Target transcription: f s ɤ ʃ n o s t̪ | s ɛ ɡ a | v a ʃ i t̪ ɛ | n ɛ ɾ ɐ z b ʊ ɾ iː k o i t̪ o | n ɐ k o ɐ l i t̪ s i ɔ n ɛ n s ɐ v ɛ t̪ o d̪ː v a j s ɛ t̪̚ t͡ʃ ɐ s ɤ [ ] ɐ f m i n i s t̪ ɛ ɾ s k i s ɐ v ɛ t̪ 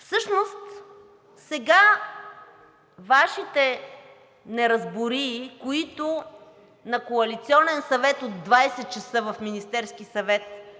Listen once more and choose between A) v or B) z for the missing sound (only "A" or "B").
A